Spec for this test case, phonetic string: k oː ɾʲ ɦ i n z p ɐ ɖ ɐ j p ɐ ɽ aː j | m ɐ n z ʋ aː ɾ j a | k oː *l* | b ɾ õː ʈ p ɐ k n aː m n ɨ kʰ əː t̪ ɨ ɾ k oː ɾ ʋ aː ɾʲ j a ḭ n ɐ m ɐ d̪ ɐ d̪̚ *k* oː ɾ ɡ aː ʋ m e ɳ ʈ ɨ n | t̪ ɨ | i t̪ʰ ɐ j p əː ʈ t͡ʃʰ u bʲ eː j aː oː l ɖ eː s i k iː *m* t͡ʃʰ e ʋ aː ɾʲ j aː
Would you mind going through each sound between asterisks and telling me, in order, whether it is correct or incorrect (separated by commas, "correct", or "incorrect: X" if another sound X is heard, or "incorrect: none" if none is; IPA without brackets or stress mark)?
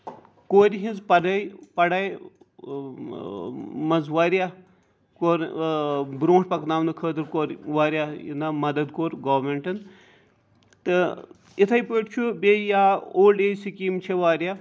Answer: incorrect: ɾ, correct, correct